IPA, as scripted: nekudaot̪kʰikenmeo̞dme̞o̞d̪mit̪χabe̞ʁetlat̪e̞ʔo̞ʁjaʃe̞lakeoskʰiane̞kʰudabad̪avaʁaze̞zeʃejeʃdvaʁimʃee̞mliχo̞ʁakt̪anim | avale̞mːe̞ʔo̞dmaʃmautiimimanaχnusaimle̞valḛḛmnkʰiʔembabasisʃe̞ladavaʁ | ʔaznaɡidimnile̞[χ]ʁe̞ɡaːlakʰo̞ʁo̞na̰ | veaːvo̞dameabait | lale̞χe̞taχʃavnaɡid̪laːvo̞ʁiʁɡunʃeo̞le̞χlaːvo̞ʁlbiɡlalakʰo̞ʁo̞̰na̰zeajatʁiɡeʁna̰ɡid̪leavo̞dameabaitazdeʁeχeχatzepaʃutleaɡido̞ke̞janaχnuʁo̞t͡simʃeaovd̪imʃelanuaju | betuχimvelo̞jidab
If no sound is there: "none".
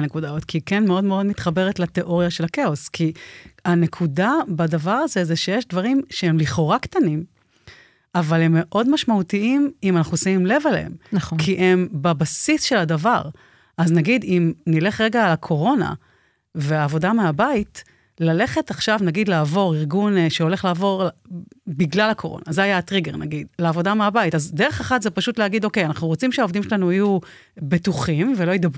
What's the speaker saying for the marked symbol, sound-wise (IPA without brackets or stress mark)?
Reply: χ